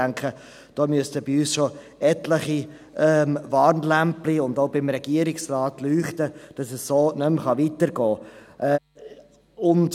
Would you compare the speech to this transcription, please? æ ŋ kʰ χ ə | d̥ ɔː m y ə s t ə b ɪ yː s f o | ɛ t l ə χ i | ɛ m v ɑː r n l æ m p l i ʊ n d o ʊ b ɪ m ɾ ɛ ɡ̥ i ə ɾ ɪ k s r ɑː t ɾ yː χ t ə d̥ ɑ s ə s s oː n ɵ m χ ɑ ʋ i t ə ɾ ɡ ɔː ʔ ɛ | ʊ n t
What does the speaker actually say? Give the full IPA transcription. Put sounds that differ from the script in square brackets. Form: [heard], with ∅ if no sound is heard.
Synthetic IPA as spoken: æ ŋ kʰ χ ə | d̥ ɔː m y ə s t ə b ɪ yː s [ʃ] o | ɛ t l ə χ i | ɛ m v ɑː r n l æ m p l i ʊ n d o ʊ b ɪ m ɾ ɛ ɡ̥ i ə ɾ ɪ k s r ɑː t [l] yː χ t ə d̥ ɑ s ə s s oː n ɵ m χ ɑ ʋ i t ə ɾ ɡ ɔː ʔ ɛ | ʊ n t